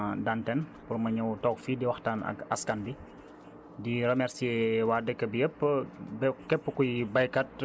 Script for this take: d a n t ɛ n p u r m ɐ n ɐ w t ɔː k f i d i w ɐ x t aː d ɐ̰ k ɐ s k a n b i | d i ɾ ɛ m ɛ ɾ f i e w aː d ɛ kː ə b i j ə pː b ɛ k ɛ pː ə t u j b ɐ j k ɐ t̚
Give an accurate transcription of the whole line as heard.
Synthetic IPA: d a n t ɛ n p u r m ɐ ɲ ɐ w t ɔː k f i d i w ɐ x t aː n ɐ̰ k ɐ s k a n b i | d i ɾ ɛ m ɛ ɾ s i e w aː d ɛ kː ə b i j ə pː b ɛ k ɛ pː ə k u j b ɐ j k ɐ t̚